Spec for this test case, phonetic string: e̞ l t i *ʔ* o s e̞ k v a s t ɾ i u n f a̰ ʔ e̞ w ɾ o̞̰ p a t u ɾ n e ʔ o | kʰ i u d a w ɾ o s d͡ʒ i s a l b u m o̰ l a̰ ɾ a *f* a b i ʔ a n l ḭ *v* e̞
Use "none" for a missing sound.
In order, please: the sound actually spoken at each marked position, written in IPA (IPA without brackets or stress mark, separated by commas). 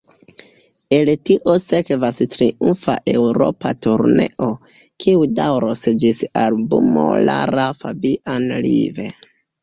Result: ʔ, f, v